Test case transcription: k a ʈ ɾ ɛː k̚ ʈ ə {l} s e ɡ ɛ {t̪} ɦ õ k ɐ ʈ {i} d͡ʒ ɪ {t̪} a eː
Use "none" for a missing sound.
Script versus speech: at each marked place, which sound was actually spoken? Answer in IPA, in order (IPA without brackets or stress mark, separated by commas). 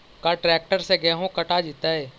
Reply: ɾ, none, a, t̪